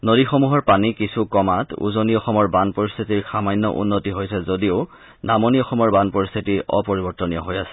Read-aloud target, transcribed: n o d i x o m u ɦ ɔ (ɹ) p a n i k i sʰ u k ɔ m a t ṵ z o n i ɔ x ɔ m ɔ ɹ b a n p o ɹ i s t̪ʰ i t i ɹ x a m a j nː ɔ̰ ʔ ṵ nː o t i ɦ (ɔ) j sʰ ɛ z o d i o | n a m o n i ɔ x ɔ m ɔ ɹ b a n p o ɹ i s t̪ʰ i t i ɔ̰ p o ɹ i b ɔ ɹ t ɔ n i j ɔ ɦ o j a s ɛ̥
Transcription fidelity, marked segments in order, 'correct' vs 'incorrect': correct, incorrect: o

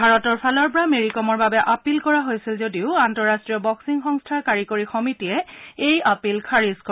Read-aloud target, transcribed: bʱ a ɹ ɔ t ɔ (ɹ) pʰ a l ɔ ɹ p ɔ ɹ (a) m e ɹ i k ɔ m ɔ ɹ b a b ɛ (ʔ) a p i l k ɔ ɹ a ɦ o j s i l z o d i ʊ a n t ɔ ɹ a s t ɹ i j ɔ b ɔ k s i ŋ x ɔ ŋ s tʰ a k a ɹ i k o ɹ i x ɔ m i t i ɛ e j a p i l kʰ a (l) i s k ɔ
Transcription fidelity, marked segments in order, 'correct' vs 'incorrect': correct, correct, correct, incorrect: ɹ

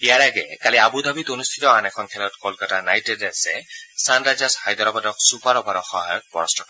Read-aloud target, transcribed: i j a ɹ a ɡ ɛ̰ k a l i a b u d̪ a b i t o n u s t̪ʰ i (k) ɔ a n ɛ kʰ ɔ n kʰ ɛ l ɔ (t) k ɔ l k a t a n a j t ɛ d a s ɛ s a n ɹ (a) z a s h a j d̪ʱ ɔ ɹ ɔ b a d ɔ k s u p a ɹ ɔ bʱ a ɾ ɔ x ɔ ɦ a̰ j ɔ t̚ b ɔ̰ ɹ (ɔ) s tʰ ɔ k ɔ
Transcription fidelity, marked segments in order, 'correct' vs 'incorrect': incorrect: t, correct, correct, correct

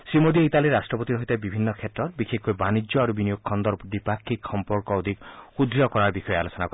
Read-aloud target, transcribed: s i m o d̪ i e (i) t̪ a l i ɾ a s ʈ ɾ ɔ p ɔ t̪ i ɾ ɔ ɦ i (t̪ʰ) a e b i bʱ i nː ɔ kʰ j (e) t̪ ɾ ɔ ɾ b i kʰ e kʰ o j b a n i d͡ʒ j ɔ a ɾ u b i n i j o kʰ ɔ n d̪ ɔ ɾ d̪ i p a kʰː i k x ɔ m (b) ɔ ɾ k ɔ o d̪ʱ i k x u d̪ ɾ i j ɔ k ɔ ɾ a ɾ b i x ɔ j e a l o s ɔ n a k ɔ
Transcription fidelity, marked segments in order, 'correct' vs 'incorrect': correct, incorrect: t̪, correct, incorrect: p

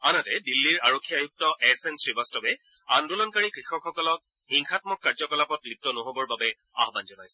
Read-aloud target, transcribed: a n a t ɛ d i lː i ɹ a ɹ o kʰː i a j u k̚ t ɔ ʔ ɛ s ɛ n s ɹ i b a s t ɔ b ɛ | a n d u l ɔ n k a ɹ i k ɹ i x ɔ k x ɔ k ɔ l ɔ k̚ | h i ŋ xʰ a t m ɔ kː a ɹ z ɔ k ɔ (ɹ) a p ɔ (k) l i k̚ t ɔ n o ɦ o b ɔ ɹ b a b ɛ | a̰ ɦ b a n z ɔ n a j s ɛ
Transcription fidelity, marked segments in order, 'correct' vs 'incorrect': incorrect: l, incorrect: t

